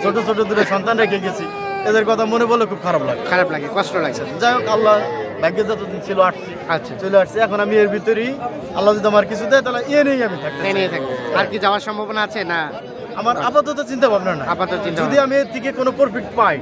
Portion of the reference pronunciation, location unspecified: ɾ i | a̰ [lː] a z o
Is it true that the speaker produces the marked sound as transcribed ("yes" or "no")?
yes